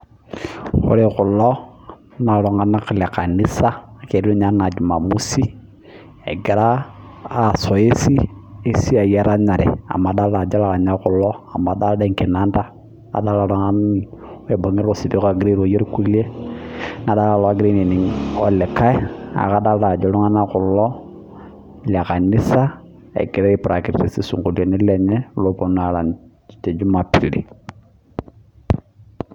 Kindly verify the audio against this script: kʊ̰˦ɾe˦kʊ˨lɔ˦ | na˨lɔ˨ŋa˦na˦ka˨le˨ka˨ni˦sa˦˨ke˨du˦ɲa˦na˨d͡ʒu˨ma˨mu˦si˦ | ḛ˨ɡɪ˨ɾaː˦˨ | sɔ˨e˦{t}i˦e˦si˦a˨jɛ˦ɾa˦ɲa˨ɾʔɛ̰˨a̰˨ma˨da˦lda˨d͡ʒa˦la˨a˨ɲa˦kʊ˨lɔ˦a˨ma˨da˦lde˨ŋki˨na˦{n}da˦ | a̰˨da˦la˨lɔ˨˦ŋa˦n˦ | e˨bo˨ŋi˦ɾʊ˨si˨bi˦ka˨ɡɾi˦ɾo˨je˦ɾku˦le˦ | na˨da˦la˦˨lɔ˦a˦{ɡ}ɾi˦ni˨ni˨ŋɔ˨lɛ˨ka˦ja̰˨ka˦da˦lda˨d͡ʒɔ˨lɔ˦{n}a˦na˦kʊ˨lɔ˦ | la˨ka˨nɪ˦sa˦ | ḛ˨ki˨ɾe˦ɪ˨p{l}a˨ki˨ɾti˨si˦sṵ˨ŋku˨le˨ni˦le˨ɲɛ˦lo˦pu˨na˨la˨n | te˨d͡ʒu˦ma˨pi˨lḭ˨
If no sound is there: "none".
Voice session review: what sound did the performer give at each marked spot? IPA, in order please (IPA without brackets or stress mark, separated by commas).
s, n, ɡ, ŋ, ɾ